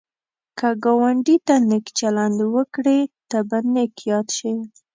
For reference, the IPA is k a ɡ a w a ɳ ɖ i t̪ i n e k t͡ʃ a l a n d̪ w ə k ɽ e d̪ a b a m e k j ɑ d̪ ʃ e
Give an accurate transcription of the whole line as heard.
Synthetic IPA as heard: k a ɡ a w a ɳ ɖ i t̪ a n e k t͡ʃ a l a n d̪ w ə k ɽ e t̪ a b a n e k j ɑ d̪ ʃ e